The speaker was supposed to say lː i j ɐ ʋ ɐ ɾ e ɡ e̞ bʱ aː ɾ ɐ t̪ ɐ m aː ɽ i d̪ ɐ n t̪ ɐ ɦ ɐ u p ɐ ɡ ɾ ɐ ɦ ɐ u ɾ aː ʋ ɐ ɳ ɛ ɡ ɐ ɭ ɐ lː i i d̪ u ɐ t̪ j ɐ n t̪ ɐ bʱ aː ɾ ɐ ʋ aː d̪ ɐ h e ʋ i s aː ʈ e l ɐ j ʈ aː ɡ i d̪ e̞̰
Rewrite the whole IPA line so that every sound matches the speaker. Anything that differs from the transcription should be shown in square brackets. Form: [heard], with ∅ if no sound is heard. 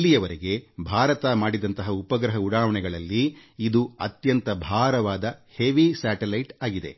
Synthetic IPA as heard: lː i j ɐ ʋ ɐ ɾ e ɡ e̞ bʱ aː ɾ ɐ t̪ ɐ m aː ɽ i d̪ ɐ n t̪ ɐ ɦ ɐ u p ɐ ɡ ɾ ɐ ɦ ɐ u [ɽ] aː ʋ ɐ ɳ ɛ ɡ ɐ ɭ ɐ lː i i d̪ u ɐ t̪ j ɐ n t̪ ɐ bʱ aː ɾ ɐ ʋ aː d̪ ɐ h e ʋ i s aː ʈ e l ɐ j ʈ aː ɡ i d̪ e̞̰